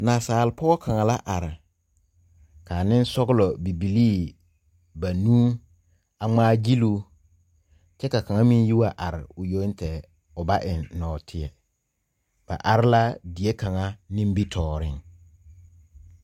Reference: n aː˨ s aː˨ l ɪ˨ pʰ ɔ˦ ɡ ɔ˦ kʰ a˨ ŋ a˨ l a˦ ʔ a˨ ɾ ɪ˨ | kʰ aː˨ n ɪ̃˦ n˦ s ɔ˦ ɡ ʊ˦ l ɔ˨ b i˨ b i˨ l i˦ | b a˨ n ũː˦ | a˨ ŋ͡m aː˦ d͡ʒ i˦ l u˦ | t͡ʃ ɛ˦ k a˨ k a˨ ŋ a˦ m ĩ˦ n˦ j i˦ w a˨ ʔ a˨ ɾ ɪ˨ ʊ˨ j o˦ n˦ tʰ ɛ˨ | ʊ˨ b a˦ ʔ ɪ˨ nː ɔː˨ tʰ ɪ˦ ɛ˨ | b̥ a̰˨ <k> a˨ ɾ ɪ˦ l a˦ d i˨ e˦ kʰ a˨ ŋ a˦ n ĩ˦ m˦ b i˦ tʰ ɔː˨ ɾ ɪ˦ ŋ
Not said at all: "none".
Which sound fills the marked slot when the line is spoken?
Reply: ʔ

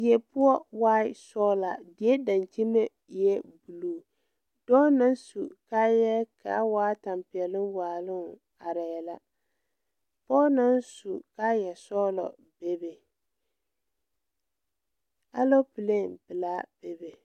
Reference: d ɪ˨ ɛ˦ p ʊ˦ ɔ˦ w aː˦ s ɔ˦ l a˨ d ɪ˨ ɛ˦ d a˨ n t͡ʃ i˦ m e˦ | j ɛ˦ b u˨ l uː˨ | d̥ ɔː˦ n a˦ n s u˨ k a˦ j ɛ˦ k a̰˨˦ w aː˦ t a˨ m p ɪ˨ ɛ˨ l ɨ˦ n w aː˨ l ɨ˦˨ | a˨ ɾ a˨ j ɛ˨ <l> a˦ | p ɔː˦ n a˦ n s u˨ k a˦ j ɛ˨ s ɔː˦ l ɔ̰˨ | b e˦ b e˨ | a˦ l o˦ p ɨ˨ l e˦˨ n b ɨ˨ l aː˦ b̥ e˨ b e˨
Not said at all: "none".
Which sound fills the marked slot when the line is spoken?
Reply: l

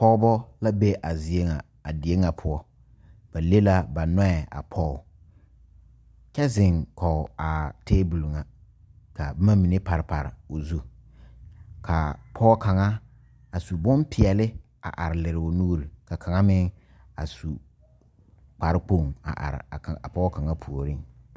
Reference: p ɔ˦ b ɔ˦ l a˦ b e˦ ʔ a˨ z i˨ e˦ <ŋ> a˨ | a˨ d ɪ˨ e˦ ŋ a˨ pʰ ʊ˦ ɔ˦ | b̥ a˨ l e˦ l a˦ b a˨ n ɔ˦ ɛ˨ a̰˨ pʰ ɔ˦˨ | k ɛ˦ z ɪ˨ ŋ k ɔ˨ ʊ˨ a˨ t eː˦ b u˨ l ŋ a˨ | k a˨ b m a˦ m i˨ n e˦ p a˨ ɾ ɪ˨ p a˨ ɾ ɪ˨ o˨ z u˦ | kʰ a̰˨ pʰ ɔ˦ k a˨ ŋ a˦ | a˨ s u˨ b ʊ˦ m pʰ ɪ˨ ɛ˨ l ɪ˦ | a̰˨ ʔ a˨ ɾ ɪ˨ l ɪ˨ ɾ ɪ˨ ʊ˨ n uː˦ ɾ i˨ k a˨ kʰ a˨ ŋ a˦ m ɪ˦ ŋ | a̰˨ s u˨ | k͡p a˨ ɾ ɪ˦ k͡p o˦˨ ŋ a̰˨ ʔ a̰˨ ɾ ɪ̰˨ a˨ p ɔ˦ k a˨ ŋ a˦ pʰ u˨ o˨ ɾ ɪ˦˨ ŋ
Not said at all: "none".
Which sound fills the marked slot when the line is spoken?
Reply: ŋ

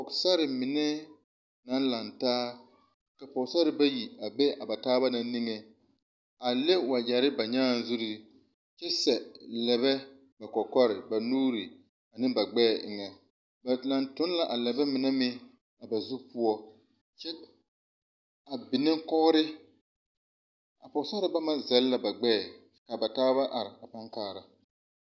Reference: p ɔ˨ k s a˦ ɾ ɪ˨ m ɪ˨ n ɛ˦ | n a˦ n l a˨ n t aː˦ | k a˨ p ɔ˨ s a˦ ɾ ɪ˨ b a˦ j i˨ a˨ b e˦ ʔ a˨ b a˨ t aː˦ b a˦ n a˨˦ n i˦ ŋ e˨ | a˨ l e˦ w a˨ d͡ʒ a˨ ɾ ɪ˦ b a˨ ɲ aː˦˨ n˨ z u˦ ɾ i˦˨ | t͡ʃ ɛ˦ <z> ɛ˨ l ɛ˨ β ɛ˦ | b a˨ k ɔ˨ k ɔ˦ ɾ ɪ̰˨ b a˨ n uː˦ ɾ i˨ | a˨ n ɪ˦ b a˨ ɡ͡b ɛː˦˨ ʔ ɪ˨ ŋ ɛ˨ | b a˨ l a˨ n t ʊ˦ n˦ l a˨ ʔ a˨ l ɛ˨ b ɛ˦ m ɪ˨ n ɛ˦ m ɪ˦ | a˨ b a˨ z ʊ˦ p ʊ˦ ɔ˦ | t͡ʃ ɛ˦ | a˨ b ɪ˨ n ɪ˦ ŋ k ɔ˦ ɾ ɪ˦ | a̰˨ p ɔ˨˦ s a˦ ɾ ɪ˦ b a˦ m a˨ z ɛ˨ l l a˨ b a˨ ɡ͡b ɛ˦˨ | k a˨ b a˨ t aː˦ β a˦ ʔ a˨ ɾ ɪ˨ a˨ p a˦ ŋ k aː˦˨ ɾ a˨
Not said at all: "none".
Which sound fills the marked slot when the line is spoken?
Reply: s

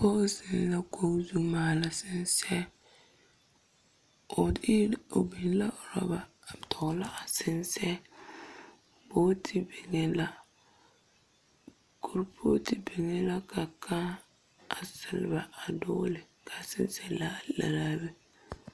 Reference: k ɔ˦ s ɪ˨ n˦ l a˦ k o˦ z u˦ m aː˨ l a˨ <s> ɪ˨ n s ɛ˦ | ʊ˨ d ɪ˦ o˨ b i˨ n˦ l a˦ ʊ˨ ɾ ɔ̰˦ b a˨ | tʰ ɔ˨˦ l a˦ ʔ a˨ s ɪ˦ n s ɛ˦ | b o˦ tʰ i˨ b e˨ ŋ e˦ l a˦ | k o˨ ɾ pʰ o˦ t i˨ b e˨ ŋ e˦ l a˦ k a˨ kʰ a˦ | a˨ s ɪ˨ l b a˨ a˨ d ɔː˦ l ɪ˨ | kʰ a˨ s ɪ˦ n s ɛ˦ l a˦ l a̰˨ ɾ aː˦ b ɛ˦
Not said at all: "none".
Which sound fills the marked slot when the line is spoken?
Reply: s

